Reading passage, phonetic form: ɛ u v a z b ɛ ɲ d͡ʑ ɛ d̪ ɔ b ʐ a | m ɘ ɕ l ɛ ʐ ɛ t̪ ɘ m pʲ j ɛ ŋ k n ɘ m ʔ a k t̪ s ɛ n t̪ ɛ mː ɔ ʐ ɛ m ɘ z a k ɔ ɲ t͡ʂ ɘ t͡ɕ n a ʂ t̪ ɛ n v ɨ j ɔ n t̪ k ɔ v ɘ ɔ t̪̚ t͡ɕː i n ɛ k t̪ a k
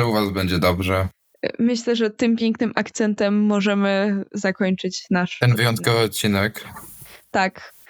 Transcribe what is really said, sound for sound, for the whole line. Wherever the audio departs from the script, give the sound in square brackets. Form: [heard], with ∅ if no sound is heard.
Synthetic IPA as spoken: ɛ u v a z b ɛ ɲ d͡ʑ ɛ d̪ ɔ b ʐ [ɛ] | m ɘ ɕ l ɛ ʐ ɛ t̪ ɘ m pʲ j ɛ ŋ k n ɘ m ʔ a k t̪ s ɛ n t̪ ɛ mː ɔ ʐ ɛ m ɘ z a k ɔ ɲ t͡ʂ ɘ t͡ɕ n a ʂ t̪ ɛ n v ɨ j ɔ n t̪ k ɔ v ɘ ɔ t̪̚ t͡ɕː i n ɛ k t̪ a k